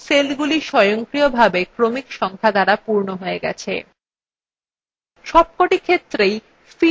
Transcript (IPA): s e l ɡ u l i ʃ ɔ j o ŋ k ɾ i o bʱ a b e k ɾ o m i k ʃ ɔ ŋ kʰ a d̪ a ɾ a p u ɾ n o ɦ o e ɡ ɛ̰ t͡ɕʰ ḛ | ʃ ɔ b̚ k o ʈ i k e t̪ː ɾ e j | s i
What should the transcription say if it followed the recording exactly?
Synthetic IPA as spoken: s e l ɡ u l i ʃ ɔ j o ŋ k ɾ i o bʱ a b e k ɾ o m i k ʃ ɔ ŋ kʰ a d̪ a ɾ a p u ɾ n o ɦ o e ɡ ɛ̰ t͡ɕʰ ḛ | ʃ ɔ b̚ k o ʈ i kʰ e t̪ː ɾ e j | f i